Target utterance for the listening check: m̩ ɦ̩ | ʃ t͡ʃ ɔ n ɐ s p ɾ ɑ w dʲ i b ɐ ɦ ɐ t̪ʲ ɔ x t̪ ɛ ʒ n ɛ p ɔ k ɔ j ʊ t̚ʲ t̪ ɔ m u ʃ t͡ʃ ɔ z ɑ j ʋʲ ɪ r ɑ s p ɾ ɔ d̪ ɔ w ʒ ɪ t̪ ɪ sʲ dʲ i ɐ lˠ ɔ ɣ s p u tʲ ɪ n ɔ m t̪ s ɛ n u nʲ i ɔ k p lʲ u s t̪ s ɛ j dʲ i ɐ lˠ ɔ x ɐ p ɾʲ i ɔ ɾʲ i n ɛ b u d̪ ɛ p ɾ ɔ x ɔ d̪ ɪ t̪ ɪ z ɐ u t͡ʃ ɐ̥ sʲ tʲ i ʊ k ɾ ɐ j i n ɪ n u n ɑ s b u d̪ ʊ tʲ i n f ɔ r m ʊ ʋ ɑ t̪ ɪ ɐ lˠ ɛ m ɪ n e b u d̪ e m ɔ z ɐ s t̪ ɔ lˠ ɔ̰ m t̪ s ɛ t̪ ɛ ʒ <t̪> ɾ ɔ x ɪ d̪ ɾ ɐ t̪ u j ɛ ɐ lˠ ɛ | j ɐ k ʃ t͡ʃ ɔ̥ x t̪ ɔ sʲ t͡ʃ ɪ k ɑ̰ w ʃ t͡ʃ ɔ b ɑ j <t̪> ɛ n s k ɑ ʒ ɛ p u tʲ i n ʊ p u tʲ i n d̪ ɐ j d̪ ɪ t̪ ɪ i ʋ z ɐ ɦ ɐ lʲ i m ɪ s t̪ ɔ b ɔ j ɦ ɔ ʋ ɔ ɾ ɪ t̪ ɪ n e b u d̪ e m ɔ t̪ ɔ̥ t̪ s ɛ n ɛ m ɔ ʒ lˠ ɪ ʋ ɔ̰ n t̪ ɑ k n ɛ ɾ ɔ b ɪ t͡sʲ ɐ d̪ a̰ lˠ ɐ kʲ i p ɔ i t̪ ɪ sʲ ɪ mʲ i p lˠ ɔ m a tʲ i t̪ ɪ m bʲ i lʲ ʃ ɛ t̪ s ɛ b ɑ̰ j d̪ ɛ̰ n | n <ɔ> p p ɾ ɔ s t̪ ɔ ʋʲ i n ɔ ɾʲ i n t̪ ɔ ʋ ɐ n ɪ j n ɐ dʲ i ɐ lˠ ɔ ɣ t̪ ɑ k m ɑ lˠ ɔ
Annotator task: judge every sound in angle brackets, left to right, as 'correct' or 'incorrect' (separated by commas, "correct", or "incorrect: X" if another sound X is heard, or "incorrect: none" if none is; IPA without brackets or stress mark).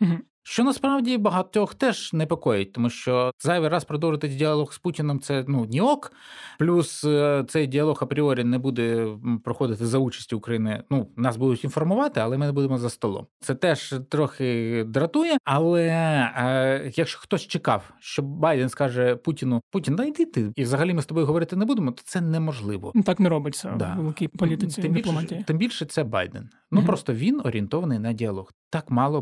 correct, incorrect: d̪, incorrect: u